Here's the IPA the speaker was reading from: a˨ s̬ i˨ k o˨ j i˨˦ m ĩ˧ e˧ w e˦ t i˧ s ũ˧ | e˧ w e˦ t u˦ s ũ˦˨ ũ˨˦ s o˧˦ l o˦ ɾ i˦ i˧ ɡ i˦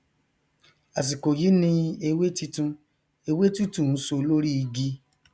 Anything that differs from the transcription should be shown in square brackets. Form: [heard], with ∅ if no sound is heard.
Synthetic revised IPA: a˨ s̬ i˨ k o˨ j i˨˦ [n] ĩ˧ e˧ w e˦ t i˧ [t] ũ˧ | e˧ w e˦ t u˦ [t] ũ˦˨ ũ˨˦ s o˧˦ l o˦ ɾ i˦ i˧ ɡ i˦